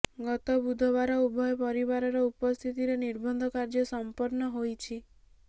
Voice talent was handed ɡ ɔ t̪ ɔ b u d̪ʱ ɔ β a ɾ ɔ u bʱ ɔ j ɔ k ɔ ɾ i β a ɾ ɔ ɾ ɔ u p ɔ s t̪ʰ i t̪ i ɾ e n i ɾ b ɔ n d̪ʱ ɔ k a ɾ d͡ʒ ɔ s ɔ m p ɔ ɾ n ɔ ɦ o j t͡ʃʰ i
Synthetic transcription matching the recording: ɡ ɔ t̪ ɔ b u d̪ʱ ɔ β a ɾ ɔ u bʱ ɔ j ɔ p ɔ ɾ i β a ɾ ɔ ɾ ɔ u p ɔ s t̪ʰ i t̪ i ɾ e n i ɾ b ɔ n d̪ʱ ɔ k a ɾ d͡ʒ ɔ s ɔ m p ɔ ɾ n ɔ ɦ o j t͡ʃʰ i

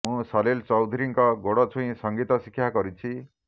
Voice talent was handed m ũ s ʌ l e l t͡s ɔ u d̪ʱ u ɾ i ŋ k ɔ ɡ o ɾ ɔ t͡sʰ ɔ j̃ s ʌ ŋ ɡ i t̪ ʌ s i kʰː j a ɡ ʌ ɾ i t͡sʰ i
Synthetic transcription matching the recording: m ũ s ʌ l e l t͡s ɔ w d̪ʱ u ɾ i ŋ k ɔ ɡ o ɽ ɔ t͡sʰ u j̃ s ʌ ŋ ɡ i t̪ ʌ s i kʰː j a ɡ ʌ ɾ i t͡sʰ i

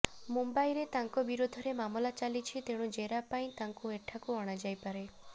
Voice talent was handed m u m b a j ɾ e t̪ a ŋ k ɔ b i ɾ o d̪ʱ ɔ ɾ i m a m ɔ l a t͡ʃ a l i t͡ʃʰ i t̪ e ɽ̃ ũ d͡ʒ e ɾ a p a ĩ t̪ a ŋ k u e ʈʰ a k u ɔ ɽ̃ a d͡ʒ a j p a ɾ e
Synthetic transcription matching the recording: m u m b a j ɾ e t̪ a ŋ k ɔ b i ɾ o d̪ʱ ɔ ɾ e m a m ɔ l a t͡ʃ a l i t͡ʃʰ i t̪ e ɽ̃ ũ d͡ʒ e ɾ a p a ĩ t̪ a ŋ k u e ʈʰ a k u ɔ ɽ̃ a d͡ʒ a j p a ɾ e

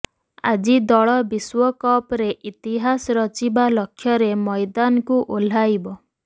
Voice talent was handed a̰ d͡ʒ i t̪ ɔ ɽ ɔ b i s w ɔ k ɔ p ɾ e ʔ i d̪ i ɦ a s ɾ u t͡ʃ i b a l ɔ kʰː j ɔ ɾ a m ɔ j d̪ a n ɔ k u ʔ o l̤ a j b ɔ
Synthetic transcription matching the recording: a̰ d͡ʒ i d̪ ɔ ɭ ɔ b i s w ɔ k ɔ p ɾ e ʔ i t̪ i ɦ a s ɾ ɔ t͡ʃ i b a l ɔ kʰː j ɔ ɾ e m ɔ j d̪ a n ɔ k u ʔ o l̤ a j b ɔ

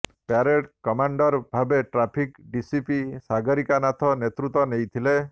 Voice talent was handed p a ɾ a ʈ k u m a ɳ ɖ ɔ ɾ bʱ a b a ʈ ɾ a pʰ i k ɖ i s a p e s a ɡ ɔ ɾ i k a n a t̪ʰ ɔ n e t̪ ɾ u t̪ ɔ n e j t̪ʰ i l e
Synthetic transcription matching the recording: p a ɾ e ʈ k ɔ m a ɳ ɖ ɔ ɾ bʱ a b e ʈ ɾ a pʰ i k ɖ i s i p i s a ɡ ɔ ɾ i k a n a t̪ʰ ɔ n e t̪ ɾ u t̪ ɔ n e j t̪ʰ i l e

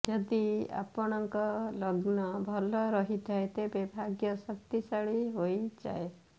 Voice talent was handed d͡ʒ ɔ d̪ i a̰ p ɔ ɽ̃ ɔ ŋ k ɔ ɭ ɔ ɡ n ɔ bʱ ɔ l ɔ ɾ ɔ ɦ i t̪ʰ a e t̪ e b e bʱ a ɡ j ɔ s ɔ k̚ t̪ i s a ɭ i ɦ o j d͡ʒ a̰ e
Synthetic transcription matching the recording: d͡ʒ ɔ d̪ i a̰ p ɔ ɽ̃ ɔ ŋ k ɔ l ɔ ɡ n ɔ bʱ ɔ l ɔ ɾ ɔ ɦ i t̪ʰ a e t̪ e b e bʱ a ɡ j ɔ s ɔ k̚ t̪ i s a ɭ i ɦ o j d͡ʒ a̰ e

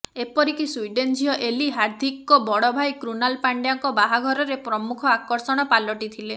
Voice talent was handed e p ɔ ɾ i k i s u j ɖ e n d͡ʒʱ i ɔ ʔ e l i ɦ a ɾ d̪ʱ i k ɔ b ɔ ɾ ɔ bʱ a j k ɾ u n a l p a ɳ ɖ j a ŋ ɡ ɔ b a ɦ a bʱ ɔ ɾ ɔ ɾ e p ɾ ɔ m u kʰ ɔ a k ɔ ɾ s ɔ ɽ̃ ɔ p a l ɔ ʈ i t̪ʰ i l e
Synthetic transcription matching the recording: e p ɔ ɾ i k i s u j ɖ e n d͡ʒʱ i ɔ ʔ e l i ɦ a ɾ d̪ʱ i k ɔ b ɔ ɽ ɔ bʱ a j k ɾ u n a l p a ɳ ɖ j a ŋ k ɔ b a ɦ a ɡʱ ɔ ɾ ɔ ɾ e p ɾ ɔ m u kʰ ɔ a k ɔ ɾ s ɔ ɽ̃ ɔ p a l ɔ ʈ i t̪ʰ i l e

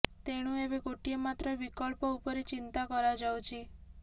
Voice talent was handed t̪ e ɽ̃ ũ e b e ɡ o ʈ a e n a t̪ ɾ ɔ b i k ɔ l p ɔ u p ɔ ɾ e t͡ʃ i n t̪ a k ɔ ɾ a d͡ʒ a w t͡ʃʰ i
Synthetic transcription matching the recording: t̪ e ɽ̃ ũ e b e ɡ o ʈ i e m a t̪ ɾ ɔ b i k ɔ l p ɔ u p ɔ ɾ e t͡ʃ i n t̪ a k ɔ ɾ a d͡ʒ a w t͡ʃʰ i

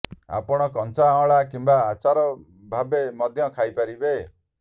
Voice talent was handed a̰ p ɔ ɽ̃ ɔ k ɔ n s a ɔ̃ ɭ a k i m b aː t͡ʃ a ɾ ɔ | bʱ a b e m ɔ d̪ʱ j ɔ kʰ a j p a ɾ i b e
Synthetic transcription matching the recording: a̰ p ɔ ɽ̃ ɔ k ɔ n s a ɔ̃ ɭ a k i m b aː t͡ʃ a ɾ ɔ | bʱ a b e m ɔ d̪ʱ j ɔ kʰ a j p a ɾ i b e

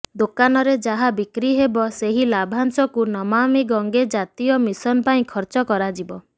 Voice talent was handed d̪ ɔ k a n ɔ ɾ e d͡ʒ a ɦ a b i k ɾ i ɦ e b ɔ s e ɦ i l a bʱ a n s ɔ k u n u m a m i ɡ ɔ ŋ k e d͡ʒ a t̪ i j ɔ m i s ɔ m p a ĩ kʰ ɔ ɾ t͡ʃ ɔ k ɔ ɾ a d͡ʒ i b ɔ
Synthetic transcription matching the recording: d̪ o k a n ɔ ɾ e d͡ʒ a ɦ a b i k ɾ i ɦ e b ɔ s e ɦ i l a bʱ a n s ɔ k u n ɔ m a m i ɡ ɔ ŋ ɡ e d͡ʒ a t̪ i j ɔ m i s ɔ n p a ĩ kʰ ɔ ɾ t͡ʃ ɔ k ɔ ɾ a d͡ʒ i b ɔ

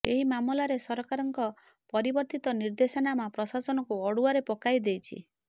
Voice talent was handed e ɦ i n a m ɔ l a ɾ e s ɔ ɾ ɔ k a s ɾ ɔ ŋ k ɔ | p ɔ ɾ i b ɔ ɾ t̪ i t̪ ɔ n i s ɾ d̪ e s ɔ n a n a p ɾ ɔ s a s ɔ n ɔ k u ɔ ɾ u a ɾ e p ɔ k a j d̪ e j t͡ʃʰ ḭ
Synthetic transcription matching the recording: e ɦ i m a m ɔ l a ɾ e s ɔ ɾ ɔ k a ɾ ɔ ŋ k ɔ | p ɔ ɾ i b ɔ ɾ t̪ i t̪ ɔ n i ɾ d̪ e s ɔ n a m a p ɾ ɔ s a s ɔ n ɔ k u ɔ ɽ u a ɾ e p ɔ k a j d̪ e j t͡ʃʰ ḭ

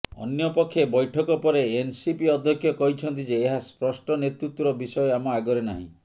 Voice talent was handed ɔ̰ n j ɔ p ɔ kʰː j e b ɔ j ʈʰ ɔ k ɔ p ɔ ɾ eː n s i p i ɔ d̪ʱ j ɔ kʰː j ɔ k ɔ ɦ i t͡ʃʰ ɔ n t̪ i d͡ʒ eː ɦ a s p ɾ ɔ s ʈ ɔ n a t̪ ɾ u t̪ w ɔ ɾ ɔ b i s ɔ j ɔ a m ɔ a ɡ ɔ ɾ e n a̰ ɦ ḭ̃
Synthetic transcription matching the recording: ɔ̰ n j ɔ p ɔ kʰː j e b ɔ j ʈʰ ɔ k ɔ p ɔ ɾ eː n s i p i ɔ d̪ʱ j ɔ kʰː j ɔ k ɔ ɦ i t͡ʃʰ ɔ n t̪ i d͡ʒ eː ɦ a s p ɾ ɔ s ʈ ɔ n e t̪ ɾ u t̪ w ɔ ɾ ɔ b i s ɔ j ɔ a m ɔ a ɡ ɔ ɾ e n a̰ ɦ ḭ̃

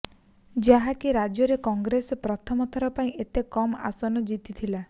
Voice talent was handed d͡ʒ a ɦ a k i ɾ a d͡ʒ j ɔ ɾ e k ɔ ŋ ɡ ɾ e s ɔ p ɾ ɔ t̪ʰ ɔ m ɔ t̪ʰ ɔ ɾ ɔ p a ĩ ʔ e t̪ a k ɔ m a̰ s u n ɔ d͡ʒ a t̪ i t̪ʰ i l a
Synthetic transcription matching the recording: d͡ʒ a ɦ a k i ɾ a d͡ʒ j ɔ ɾ e k ɔ ŋ ɡ ɾ e s ɔ p ɾ ɔ t̪ʰ ɔ m ɔ t̪ʰ ɔ ɾ ɔ p a ĩ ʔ e t̪ e k ɔ m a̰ s ɔ n ɔ d͡ʒ i t̪ i t̪ʰ i l a

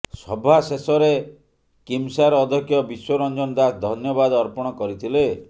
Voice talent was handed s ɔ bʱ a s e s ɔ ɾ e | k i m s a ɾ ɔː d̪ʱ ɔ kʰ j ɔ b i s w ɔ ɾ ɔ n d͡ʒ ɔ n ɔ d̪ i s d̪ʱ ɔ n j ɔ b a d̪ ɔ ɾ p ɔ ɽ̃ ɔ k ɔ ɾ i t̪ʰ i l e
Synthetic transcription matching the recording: s ɔ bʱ a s e s ɔ ɾ e | k i m s a ɾ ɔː d̪ʱ ɔ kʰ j ɔ b i s w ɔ ɾ ɔ n d͡ʒ ɔ n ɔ d̪ a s d̪ʱ ɔ n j ɔ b a d̪ ɔ ɾ p ɔ ɽ̃ ɔ k ɔ ɾ i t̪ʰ i l e

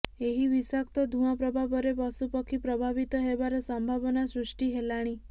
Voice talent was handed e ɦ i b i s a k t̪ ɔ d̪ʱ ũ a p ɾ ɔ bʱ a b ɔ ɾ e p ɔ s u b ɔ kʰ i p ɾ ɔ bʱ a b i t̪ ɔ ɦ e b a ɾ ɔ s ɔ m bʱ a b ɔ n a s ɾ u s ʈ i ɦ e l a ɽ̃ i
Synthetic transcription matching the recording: e ɦ i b i s a k t̪ ɔ d̪ʱ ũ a p ɾ ɔ bʱ a b ɔ ɾ e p ɔ s u p ɔ kʰ i p ɾ ɔ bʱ a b i t̪ ɔ ɦ e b a ɾ ɔ s ɔ m bʱ a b ɔ n a s ɾ u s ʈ i ɦ e l a ɽ̃ i

